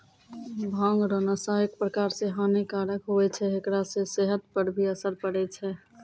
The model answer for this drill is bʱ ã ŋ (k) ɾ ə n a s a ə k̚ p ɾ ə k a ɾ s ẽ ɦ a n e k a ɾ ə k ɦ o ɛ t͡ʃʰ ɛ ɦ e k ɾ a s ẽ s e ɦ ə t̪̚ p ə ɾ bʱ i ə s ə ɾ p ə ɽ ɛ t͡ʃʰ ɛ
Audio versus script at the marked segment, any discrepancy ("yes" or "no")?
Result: yes